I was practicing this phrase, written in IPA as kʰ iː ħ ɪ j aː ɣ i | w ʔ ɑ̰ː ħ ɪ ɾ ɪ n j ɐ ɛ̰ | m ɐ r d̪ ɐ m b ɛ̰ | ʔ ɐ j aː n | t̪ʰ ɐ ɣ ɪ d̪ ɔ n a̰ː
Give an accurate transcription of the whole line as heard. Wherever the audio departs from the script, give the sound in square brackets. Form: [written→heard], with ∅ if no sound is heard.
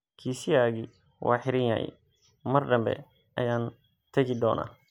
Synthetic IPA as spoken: kʰ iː [ħ→s] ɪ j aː ɣ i | w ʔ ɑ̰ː ħ ɪ ɾ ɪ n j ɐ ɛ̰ | m ɐ r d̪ ɐ m b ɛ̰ | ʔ ɐ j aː n | t̪ʰ ɐ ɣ ɪ d̪ [ɔ→ɔː] n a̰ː